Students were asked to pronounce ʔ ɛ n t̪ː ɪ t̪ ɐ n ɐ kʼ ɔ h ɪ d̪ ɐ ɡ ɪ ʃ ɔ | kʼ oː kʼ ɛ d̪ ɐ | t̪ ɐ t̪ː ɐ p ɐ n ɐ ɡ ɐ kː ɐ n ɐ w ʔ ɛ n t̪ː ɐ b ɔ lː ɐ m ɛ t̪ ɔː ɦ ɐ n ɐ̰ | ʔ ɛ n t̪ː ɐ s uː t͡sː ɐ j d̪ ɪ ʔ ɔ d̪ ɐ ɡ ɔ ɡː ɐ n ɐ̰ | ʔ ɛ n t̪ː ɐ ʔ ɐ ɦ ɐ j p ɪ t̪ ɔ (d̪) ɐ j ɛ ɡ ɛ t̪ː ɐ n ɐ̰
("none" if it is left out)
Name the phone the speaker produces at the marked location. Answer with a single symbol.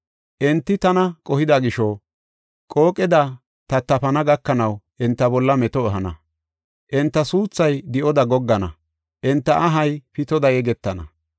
d̪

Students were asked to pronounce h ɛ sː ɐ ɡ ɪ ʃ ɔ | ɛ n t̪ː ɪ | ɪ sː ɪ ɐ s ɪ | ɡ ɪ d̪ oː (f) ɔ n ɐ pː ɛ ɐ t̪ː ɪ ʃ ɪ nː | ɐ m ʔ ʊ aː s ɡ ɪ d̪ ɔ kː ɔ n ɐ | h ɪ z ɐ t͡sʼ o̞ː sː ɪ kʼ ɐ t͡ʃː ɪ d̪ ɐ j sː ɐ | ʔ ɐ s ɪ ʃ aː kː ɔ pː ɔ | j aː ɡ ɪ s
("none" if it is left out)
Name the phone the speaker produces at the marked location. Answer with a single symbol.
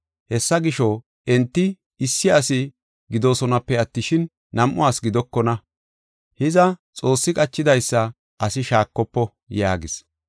s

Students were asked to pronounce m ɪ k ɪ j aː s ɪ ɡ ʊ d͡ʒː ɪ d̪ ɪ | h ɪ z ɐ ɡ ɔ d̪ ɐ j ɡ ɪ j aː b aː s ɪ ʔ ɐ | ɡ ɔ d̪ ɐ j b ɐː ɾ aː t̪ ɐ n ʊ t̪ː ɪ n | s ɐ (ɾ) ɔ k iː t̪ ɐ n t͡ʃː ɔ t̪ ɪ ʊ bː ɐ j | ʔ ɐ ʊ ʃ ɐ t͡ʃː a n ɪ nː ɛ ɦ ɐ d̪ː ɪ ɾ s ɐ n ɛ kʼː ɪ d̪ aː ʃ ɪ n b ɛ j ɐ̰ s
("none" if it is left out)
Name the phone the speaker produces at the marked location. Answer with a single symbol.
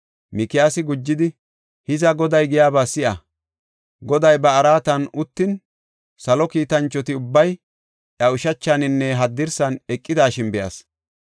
l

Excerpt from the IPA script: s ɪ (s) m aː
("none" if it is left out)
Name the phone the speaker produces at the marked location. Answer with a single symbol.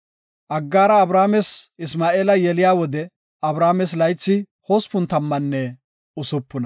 s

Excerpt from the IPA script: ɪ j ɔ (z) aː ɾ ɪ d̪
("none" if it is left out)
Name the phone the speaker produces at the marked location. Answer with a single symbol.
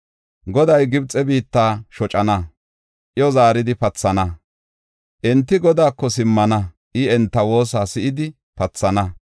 z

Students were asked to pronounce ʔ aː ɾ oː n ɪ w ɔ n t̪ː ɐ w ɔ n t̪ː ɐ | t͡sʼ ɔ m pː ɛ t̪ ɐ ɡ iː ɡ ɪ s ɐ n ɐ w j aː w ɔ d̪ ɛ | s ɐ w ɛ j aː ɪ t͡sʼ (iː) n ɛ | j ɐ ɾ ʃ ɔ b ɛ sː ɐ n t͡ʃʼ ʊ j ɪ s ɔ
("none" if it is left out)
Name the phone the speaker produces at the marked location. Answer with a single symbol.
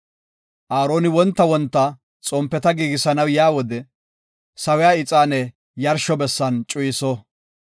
aː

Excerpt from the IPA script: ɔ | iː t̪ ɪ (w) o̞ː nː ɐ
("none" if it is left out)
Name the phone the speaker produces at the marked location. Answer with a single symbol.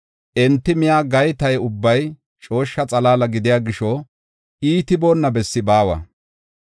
b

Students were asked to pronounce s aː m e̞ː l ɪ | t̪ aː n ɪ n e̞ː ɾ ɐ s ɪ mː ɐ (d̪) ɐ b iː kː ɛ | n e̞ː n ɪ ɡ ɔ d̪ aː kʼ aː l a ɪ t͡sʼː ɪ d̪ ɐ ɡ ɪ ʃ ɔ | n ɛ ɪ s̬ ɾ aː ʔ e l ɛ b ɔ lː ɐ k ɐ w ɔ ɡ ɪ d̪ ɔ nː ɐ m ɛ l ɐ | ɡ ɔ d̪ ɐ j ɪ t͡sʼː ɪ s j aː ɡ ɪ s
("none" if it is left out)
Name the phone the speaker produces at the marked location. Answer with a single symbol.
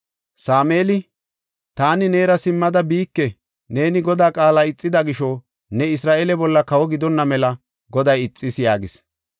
d̪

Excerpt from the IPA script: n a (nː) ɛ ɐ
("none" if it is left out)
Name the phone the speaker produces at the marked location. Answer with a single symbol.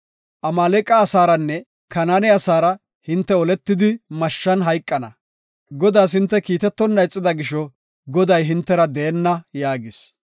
n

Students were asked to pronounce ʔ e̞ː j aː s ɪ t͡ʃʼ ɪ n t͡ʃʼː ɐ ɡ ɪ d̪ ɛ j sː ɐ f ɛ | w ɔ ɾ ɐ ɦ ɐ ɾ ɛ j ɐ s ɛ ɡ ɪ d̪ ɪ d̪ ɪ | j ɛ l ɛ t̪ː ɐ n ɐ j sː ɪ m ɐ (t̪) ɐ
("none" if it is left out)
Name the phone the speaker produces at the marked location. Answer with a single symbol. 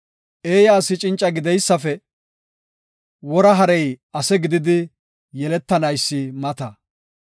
t̪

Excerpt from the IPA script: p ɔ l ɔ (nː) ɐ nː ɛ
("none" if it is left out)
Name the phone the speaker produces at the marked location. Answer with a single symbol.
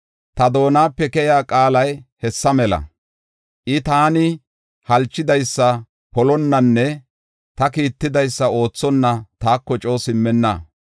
nː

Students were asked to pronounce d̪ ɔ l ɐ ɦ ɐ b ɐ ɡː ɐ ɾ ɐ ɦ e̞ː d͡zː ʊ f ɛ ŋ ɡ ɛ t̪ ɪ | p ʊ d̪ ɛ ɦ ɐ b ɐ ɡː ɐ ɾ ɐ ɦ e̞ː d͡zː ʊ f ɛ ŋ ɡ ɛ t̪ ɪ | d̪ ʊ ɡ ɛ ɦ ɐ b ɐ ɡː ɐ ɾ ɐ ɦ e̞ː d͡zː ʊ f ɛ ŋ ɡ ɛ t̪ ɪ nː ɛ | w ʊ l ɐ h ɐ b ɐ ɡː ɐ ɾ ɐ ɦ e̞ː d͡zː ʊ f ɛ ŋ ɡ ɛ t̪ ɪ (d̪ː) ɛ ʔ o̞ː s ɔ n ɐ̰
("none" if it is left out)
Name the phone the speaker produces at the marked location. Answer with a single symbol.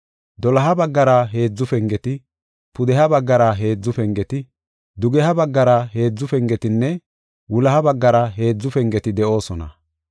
d̪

